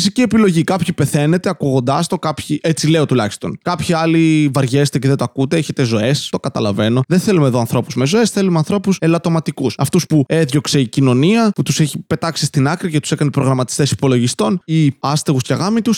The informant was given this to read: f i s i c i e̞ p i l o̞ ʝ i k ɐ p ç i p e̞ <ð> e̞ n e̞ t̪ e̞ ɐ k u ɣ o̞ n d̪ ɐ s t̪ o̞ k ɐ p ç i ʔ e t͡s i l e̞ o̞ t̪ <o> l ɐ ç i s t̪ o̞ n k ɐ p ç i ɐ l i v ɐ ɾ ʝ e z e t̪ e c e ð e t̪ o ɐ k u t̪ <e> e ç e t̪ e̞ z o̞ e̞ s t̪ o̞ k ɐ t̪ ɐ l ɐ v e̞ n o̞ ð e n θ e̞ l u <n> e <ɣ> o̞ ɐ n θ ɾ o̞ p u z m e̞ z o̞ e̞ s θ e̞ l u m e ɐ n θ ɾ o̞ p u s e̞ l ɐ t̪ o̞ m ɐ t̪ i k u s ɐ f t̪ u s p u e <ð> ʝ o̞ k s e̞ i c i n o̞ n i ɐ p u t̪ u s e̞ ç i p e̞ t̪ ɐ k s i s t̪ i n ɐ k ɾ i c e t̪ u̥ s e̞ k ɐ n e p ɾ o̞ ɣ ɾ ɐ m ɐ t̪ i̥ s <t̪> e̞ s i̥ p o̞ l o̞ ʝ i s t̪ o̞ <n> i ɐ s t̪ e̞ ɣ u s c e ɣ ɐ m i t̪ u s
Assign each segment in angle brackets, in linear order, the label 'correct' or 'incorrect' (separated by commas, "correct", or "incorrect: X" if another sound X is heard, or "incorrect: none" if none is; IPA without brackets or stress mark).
incorrect: θ, incorrect: u, correct, incorrect: m, incorrect: ð, correct, correct, correct